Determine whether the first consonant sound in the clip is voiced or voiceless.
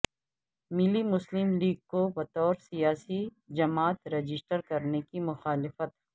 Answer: voiced